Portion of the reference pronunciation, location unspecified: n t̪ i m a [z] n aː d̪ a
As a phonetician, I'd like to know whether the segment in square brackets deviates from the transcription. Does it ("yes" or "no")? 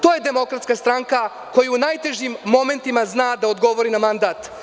no